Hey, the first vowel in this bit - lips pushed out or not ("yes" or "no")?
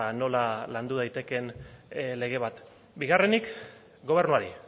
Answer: yes